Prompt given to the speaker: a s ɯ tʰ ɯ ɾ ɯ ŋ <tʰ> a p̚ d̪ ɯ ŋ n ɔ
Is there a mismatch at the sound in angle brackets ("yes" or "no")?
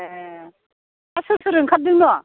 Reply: yes